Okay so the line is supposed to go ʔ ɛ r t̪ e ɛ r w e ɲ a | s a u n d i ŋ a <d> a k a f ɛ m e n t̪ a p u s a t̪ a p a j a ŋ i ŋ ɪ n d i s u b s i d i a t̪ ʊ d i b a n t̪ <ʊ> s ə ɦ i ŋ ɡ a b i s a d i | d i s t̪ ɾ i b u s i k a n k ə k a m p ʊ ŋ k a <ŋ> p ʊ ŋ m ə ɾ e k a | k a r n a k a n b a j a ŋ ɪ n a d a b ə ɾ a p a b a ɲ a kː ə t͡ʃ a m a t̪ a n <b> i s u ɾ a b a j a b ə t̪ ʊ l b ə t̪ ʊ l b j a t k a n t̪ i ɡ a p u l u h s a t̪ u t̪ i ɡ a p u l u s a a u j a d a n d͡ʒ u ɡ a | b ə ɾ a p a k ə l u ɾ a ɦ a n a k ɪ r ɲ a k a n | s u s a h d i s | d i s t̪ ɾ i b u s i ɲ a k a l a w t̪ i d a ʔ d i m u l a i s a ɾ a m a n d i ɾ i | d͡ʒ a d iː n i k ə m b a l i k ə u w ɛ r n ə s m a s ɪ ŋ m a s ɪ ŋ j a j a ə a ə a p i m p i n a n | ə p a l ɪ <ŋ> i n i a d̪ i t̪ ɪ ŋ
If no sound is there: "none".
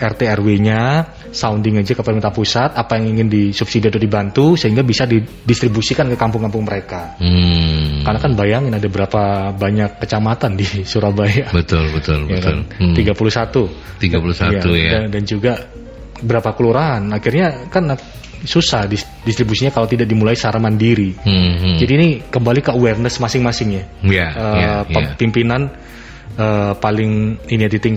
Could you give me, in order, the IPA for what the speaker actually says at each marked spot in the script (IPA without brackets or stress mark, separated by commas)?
d͡ʒ, u, m, d, ŋ